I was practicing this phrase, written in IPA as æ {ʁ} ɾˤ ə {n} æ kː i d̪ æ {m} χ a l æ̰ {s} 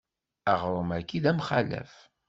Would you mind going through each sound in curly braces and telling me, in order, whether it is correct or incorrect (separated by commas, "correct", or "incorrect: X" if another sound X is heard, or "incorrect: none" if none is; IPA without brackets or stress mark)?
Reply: correct, incorrect: m, correct, incorrect: f